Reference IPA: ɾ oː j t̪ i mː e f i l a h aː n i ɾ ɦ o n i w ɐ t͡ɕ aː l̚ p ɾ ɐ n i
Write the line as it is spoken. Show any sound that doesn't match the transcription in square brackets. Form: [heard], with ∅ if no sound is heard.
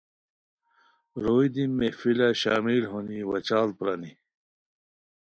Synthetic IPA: ɾ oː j [d̪] i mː e f i l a [ɕ] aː [m] i [l] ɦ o n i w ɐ t͡ɕ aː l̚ p ɾ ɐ n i